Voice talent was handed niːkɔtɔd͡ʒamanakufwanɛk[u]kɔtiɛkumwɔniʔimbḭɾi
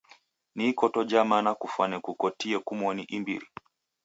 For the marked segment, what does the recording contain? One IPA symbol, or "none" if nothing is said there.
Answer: u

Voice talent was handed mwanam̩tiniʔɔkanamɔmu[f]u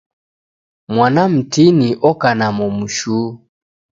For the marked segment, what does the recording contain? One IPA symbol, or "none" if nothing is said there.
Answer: ʃ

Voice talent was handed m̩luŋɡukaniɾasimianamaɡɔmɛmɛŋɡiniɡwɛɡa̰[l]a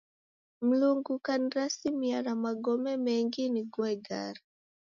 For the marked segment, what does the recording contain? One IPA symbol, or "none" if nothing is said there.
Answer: ɾ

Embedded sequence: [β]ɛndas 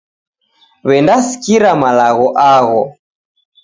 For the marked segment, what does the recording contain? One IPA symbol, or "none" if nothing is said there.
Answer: β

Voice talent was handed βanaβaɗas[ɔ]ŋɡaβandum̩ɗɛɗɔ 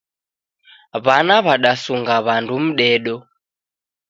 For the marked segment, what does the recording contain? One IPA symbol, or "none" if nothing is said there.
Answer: u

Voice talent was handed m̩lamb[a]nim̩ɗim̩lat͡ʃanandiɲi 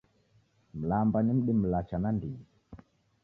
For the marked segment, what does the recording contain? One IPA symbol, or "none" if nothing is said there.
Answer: a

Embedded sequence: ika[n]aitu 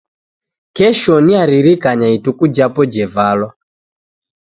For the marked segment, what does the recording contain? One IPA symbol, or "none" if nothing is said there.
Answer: ɲ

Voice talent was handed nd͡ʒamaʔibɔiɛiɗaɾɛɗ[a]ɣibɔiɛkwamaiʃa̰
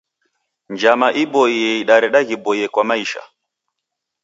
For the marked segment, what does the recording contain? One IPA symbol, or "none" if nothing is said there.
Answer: a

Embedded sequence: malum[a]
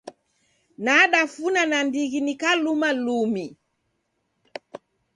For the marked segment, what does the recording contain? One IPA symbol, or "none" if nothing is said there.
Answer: i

